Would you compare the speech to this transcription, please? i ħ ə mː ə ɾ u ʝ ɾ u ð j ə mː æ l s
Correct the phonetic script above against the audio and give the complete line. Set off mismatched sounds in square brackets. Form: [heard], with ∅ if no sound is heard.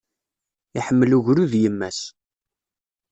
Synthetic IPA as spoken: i ħ ə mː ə [l] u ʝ ɾ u ð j ə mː æ [∅] s